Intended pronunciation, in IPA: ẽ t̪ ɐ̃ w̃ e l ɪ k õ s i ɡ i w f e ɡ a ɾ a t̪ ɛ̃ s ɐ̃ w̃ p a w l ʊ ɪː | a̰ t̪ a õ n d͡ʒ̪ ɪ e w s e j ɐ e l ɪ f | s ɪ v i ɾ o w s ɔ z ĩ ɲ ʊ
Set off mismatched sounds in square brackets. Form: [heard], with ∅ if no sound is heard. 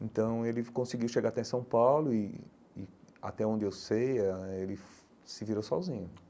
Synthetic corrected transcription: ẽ t̪ ɐ̃ w̃ e l ɪ k õ s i ɡ i w [ʃ] e ɡ a ɾ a t̪ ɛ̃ s ɐ̃ w̃ p a w l ʊ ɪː | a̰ t̪ [ɛ] õ n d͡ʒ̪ ɪ e w s e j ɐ e l ɪ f | s ɪ v i ɾ o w s ɔ z ĩ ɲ ʊ